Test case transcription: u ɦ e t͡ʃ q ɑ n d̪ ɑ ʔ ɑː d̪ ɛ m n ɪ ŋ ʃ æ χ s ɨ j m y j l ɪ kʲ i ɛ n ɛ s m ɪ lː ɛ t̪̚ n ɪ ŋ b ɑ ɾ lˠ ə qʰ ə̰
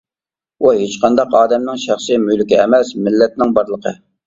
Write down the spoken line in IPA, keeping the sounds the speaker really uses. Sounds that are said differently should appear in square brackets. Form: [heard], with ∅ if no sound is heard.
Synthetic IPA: u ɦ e t͡ʃ q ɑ n d̪ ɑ [q] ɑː d̪ ɛ m n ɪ ŋ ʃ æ χ s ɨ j m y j l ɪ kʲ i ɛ [m] ɛ s m ɪ lː ɛ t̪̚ n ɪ ŋ b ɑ ɾ lˠ ə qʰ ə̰